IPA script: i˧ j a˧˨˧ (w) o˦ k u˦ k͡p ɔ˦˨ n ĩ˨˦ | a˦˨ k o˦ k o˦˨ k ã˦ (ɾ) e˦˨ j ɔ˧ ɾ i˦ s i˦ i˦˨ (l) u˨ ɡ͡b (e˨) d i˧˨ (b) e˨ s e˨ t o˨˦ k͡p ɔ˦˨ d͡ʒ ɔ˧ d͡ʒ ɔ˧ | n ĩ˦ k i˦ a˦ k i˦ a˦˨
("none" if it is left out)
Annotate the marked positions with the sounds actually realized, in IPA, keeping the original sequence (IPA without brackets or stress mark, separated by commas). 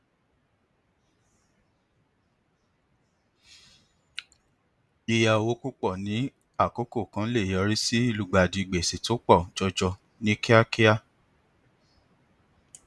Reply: w, l, l, a˨, ɡ͡b